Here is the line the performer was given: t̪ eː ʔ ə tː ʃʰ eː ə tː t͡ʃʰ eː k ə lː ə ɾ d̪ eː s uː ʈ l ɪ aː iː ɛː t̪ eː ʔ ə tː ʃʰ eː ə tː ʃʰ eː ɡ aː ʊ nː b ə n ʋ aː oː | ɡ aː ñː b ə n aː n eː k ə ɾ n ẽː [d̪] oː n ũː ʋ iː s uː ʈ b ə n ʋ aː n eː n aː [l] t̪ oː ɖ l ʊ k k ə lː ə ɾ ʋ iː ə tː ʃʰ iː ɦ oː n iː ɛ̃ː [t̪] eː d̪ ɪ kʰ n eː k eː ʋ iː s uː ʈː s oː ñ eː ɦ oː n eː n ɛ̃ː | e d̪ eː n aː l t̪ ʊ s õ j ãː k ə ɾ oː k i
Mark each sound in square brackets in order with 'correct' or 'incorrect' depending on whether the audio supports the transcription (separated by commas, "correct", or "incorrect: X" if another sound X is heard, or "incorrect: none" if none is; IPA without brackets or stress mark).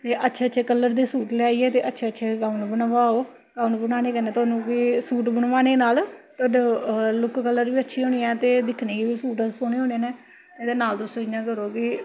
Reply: incorrect: t̪, correct, correct